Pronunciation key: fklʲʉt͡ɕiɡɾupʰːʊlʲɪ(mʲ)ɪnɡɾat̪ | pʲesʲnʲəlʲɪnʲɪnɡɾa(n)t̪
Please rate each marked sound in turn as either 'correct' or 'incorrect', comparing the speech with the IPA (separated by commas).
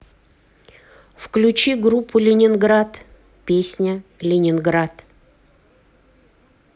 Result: incorrect, incorrect